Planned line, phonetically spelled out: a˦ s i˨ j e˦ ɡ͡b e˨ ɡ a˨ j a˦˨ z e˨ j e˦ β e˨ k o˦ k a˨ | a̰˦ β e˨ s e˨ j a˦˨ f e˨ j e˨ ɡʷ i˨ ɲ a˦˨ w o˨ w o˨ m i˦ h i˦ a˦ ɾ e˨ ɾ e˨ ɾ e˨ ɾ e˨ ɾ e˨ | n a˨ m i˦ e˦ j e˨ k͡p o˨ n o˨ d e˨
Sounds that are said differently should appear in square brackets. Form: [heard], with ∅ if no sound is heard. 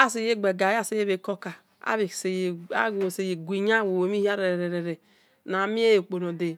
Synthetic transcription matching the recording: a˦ s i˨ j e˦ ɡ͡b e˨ ɡ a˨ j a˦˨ [s] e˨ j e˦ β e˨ k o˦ k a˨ | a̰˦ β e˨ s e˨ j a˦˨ [s] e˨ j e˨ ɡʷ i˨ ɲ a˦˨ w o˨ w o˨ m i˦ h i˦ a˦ ɾ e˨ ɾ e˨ ɾ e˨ ɾ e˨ ɾ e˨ | n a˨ m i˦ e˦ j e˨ k͡p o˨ n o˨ d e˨